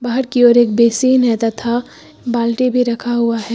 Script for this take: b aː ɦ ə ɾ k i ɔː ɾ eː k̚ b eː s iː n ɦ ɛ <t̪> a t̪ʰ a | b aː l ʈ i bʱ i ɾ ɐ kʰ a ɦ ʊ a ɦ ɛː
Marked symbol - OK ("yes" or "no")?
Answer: yes